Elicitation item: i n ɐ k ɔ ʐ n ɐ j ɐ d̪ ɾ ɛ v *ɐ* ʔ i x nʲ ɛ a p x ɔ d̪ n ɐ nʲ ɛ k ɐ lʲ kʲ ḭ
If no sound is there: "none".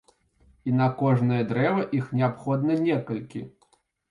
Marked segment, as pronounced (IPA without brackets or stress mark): ɐ